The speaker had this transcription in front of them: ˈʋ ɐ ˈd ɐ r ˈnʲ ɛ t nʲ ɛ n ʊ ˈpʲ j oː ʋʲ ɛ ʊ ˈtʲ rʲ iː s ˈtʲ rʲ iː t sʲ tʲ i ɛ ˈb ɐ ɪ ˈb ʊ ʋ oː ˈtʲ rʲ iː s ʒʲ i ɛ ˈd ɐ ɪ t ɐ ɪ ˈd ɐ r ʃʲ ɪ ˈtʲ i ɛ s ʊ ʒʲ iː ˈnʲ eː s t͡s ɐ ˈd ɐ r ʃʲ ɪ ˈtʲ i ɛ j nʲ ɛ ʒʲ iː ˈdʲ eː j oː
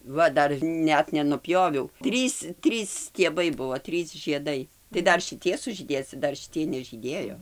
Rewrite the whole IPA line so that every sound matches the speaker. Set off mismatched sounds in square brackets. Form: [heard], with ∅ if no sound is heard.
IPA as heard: ˈʋ ɐ ˈd ɐ r ˈnʲ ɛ t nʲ ɛ n ʊ ˈpʲ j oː ʋʲ ɛ ʊ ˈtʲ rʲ iː s ˈtʲ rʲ iː [s] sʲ tʲ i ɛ ˈb ɐ ɪ ˈb ʊ ʋ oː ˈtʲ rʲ iː s ʒʲ i ɛ ˈd ɐ ɪ t ɐ ɪ ˈd ɐ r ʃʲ ɪ ˈtʲ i ɛ s ʊ ʒʲ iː [ˈdʲ] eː s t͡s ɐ ˈd ɐ r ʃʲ ɪ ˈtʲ i ɛ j nʲ ɛ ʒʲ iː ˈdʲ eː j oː